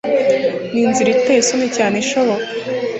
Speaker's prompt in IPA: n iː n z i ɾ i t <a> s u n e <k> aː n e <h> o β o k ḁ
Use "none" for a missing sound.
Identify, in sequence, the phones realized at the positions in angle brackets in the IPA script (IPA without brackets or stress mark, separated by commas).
e, c, ʃ